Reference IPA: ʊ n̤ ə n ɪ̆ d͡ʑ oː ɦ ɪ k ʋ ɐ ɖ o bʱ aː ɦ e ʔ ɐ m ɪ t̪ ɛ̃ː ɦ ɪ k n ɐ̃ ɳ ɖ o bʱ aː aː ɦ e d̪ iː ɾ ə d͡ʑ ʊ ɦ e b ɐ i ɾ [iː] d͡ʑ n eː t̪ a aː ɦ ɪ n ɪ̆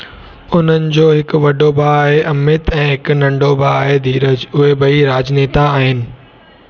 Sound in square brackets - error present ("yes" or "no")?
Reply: yes